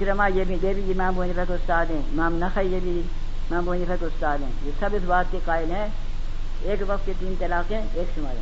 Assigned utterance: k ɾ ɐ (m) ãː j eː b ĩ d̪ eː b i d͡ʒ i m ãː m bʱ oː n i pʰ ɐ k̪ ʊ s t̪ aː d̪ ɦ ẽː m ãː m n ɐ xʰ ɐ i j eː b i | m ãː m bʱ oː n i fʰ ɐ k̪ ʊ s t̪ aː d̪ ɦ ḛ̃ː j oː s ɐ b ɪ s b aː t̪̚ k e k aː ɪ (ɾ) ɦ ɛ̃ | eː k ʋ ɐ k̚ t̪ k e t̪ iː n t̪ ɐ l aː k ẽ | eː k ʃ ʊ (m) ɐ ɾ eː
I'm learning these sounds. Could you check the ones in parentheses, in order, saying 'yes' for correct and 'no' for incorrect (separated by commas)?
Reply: yes, no, yes